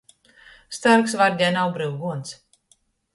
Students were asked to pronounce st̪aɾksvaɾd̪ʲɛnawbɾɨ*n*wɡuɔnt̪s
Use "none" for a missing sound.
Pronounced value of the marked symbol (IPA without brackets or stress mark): none